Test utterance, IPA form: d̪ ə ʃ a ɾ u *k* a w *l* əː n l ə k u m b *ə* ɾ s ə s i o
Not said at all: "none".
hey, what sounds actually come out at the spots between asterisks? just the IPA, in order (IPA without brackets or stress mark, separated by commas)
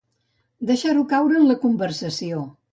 k, ɾ, ə